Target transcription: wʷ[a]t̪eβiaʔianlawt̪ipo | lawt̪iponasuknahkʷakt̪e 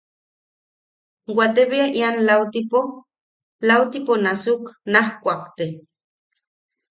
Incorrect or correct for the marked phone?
correct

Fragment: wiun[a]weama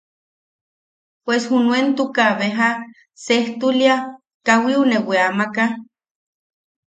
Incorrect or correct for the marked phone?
incorrect: e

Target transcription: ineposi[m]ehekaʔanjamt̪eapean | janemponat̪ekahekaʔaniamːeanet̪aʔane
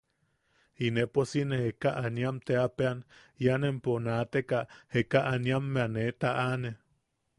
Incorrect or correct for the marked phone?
incorrect: n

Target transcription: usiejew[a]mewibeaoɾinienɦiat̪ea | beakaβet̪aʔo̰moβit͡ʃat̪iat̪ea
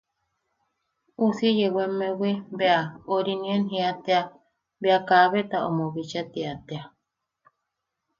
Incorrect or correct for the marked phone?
incorrect: e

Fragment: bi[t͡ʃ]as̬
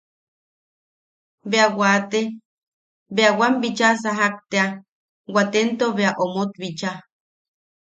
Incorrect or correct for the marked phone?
correct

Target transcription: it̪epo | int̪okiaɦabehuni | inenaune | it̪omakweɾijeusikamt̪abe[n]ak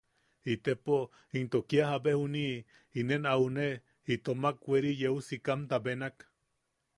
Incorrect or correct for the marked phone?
correct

